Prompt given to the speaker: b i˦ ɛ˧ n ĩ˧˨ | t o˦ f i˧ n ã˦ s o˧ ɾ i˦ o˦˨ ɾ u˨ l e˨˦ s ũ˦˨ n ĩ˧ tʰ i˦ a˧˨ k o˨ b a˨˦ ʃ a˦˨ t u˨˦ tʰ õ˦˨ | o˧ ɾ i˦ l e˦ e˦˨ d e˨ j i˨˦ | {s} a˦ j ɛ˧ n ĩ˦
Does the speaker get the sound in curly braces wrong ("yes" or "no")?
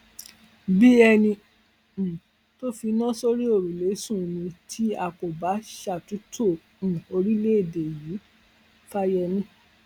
yes